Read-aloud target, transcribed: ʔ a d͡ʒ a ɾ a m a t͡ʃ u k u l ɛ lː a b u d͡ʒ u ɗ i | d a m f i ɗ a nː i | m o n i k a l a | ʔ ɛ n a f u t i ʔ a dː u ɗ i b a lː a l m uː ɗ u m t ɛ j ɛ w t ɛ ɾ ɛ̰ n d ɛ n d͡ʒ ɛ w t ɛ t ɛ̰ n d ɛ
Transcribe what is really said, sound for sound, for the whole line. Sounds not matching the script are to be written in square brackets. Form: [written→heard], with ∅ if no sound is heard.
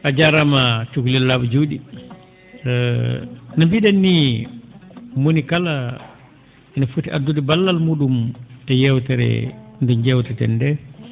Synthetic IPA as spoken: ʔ a d͡ʒ a ɾ a m a t͡ʃ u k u l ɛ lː a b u d͡ʒ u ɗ i | [d→n] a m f i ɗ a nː i | m o n i k a l a | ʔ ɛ n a f u t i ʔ a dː u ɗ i b a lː a l m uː ɗ u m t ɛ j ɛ w t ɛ ɾ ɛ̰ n d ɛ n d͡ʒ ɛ w t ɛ t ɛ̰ n d ɛ